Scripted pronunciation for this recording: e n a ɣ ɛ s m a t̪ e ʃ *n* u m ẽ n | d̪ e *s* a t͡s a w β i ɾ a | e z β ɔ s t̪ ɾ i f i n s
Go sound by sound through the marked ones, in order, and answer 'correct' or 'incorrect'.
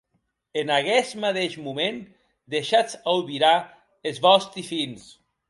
incorrect: m, incorrect: ʃ

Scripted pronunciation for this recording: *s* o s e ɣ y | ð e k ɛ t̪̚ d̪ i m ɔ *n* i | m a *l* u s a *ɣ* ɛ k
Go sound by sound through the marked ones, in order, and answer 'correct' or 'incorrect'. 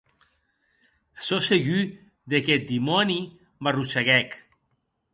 correct, correct, incorrect: r, correct

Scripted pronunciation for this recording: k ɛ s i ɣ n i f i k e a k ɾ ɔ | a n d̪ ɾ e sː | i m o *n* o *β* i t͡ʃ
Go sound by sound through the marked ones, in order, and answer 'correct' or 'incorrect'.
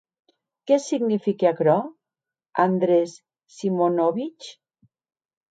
correct, correct

